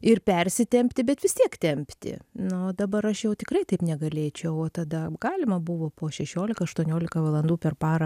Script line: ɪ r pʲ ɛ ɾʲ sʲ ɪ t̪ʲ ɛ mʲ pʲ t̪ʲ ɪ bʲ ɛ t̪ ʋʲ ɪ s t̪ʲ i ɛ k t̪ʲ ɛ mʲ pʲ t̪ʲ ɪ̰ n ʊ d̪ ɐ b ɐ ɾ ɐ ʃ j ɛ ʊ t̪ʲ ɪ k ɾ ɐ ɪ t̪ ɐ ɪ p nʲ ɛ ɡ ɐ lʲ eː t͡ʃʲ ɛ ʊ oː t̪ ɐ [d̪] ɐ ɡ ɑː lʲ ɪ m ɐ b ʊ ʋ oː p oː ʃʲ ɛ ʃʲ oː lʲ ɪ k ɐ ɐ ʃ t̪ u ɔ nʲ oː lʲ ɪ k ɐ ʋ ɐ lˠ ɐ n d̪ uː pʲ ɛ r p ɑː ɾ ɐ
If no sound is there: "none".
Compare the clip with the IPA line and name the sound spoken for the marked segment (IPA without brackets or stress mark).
d̪